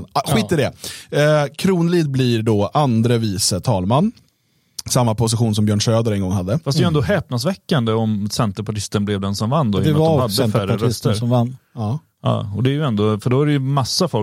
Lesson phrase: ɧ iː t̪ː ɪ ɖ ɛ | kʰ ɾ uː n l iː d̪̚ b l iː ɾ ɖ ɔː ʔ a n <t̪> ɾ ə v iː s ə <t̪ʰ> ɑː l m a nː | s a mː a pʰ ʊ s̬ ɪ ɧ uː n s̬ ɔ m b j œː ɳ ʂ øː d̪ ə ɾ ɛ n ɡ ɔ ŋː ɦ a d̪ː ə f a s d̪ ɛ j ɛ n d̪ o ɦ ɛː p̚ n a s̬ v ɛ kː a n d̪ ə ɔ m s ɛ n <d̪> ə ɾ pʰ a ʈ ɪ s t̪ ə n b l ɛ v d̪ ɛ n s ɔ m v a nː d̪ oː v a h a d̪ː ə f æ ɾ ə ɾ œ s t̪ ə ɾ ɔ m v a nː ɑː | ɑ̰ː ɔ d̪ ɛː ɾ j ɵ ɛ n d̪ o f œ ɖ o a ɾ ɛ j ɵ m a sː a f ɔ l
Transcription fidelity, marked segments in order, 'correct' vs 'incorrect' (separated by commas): incorrect, correct, incorrect